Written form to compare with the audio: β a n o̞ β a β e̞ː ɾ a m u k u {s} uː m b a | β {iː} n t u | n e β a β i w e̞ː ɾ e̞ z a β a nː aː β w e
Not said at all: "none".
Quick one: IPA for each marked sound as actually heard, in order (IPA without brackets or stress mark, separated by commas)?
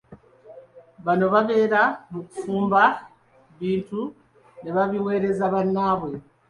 f, iː